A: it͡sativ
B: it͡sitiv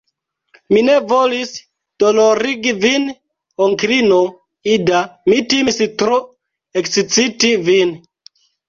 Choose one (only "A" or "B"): B